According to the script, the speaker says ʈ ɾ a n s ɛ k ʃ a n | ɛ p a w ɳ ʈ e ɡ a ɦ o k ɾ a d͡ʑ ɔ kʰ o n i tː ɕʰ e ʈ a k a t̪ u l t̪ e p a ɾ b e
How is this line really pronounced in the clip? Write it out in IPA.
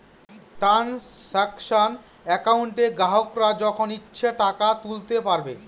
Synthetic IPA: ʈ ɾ a n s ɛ k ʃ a n | ɛ k a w ɳ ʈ e ɡ a ɦ o k ɾ a d͡ʑ ɔ kʰ o n i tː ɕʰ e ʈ a k a t̪ u l t̪ e p a ɾ b e